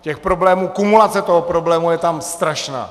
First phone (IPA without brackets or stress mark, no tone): c